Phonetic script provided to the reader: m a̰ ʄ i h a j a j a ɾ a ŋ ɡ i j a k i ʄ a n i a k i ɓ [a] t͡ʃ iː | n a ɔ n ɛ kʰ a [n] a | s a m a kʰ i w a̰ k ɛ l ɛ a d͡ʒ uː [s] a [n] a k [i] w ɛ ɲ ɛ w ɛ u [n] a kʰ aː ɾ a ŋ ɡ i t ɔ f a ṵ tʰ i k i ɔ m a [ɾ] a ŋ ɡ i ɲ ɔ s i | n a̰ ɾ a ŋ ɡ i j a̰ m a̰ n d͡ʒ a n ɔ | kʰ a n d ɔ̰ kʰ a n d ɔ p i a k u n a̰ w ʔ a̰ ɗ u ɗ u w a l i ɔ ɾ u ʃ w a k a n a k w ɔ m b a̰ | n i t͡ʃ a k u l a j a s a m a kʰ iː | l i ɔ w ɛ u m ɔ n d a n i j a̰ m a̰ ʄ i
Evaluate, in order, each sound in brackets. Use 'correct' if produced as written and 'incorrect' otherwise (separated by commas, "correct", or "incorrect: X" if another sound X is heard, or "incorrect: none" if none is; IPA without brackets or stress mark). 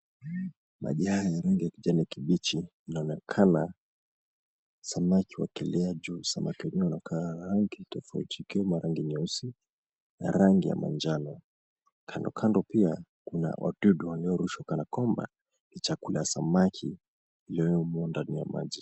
incorrect: i, correct, correct, incorrect: m, correct, correct, correct